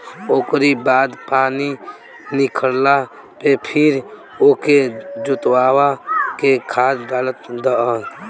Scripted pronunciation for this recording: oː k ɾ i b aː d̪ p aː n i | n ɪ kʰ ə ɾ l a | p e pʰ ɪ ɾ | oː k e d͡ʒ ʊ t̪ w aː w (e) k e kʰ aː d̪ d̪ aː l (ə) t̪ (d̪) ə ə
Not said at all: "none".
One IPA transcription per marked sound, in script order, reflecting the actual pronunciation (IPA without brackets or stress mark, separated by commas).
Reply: a, ə, d̪